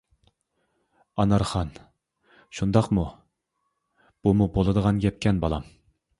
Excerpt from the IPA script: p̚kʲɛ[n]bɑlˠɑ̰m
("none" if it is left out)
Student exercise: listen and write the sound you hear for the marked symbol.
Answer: n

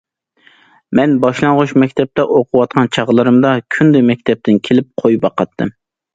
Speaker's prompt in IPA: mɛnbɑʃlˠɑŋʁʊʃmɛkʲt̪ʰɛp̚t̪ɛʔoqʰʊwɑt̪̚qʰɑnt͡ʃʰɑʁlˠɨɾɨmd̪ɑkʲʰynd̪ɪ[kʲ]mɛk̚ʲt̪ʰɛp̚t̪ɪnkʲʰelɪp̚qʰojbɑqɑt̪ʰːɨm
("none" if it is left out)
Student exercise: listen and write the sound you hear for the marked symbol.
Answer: none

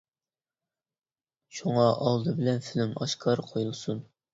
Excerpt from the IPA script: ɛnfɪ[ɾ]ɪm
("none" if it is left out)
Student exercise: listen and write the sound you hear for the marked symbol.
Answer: l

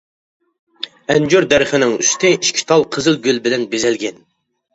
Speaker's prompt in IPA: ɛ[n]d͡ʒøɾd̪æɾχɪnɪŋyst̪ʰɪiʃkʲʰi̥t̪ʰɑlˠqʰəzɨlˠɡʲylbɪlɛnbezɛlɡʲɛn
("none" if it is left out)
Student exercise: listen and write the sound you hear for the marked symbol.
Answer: n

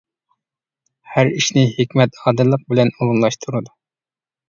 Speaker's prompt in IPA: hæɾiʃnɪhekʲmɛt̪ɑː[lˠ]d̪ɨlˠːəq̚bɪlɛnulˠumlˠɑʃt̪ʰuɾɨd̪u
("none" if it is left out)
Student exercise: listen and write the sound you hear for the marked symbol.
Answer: none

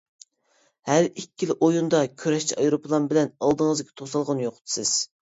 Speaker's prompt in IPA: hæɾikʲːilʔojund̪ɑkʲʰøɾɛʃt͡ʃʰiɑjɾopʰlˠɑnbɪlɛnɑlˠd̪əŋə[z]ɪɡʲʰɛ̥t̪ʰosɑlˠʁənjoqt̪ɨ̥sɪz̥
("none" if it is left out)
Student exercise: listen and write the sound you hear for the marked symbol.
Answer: z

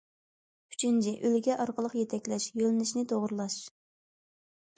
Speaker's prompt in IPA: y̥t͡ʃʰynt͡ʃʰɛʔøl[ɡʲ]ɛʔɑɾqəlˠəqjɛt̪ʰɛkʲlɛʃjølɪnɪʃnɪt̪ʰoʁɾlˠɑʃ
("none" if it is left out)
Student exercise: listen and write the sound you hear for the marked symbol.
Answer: ɡʲ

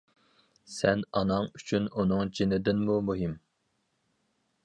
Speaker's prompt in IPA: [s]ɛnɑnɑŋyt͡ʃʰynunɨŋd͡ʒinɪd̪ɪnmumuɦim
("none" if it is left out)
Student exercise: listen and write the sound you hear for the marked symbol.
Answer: s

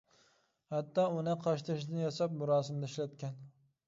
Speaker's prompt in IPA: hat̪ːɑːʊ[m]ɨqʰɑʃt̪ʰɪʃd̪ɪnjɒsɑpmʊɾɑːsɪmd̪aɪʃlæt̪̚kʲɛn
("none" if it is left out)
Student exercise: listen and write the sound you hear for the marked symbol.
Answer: n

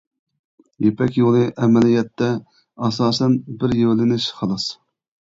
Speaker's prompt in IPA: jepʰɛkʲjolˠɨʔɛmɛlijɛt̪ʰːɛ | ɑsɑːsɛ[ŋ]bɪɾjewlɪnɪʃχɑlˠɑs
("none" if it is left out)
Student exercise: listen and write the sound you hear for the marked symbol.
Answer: n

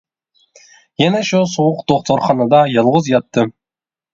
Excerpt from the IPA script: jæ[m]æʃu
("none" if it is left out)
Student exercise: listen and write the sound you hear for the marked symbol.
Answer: n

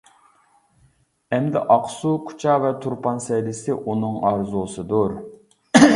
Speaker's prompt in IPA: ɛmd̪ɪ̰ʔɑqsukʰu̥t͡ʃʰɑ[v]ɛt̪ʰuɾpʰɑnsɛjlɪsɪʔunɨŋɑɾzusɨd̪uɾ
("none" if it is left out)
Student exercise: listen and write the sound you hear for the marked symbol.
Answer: v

